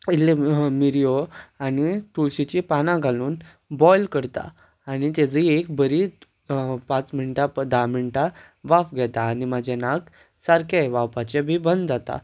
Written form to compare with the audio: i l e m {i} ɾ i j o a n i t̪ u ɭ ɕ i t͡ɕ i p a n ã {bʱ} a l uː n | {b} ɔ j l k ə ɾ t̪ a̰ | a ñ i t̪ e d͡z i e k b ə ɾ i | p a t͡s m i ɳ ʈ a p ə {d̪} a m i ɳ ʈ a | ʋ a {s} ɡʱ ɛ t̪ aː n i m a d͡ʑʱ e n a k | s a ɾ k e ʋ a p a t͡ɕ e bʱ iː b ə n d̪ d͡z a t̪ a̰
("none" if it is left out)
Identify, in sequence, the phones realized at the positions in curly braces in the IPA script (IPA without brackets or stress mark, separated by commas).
i, ɡʱ, b, d̪, f